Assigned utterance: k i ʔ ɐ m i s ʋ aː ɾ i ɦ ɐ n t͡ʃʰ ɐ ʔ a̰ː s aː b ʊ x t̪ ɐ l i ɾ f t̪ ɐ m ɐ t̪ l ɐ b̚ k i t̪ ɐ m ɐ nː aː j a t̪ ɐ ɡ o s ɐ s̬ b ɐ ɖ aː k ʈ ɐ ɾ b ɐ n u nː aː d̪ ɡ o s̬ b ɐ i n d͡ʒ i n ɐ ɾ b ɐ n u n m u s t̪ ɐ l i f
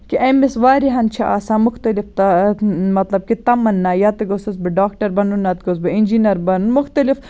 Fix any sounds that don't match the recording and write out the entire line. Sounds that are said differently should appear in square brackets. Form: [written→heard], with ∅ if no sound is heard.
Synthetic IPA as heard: k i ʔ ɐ m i s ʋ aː ɾ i ɦ ɐ n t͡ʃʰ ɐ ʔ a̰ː s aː [b→m] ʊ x t̪ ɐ l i [ɾ→∅] f t̪ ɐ m ɐ t̪ l ɐ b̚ k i t̪ ɐ m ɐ nː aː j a t̪ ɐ ɡ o s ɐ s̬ b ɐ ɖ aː k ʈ ɐ ɾ b ɐ n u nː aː [d̪→t̪] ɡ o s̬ b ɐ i n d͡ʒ i n ɐ ɾ b ɐ n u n m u [s→x] t̪ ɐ l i f

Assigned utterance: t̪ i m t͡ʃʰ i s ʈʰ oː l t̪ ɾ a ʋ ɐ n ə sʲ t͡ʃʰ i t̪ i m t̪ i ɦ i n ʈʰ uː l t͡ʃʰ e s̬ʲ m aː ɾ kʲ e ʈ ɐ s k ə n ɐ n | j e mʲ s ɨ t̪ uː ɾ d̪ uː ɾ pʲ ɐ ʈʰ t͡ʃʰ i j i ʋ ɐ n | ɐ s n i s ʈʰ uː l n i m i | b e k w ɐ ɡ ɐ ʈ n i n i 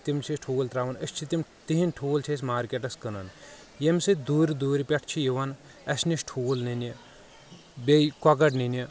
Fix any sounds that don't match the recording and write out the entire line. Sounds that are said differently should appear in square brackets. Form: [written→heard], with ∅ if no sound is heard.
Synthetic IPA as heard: t̪ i m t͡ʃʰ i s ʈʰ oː l t̪ ɾ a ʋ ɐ n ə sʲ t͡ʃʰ i t̪ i m t̪ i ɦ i n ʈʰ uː l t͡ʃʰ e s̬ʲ m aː ɾ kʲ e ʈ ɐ s k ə n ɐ n | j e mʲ s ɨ [t̪→d̪] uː ɾ d̪ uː ɾ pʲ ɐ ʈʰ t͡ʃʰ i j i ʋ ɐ n | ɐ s n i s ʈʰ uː l n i [m→n] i | b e k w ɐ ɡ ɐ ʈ n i n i

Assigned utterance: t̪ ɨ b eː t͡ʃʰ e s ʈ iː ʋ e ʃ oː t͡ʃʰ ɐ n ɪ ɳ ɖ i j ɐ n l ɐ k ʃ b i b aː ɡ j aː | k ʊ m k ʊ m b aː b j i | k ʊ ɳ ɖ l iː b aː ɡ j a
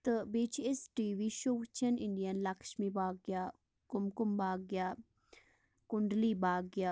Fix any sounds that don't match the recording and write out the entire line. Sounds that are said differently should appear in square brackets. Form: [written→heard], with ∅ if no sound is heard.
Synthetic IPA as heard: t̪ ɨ b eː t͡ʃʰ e s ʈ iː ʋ [e→i] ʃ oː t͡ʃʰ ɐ n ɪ ɳ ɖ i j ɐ n l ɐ k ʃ [b→m] i b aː ɡ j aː | k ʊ m k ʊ m b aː [b→ɡ] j [i→a] | k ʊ ɳ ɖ l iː b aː ɡ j a

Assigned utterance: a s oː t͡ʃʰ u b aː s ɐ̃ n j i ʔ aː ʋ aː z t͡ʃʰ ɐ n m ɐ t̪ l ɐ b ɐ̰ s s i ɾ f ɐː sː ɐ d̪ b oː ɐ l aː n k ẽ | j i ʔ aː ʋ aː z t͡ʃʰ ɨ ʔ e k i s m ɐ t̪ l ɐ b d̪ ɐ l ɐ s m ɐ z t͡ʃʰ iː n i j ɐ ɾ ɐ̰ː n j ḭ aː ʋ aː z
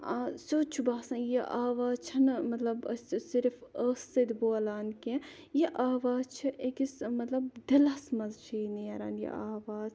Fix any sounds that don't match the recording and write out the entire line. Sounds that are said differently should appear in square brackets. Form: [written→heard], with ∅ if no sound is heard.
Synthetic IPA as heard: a s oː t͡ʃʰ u b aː s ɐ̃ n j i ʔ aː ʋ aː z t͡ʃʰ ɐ n m ɐ t̪ l ɐ b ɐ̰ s s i ɾ f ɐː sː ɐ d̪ b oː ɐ l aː n k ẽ | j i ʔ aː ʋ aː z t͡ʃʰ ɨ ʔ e k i s m ɐ t̪ l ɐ b d̪ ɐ l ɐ s m ɐ z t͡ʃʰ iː n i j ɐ ɾ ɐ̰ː n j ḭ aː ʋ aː z

